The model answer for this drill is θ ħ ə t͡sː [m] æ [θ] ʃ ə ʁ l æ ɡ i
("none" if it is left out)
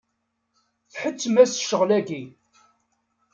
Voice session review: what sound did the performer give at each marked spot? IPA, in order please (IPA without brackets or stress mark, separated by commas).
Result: m, s